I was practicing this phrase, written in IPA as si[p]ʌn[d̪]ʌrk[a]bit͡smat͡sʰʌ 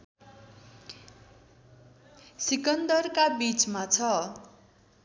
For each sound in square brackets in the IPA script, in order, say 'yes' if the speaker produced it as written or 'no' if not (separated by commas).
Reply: no, yes, yes